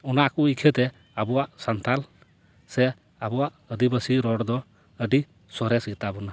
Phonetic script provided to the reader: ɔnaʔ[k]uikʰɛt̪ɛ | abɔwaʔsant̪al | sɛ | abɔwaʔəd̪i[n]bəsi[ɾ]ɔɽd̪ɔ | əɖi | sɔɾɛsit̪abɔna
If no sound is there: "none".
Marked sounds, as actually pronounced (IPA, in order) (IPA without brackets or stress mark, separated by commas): k, none, ɾ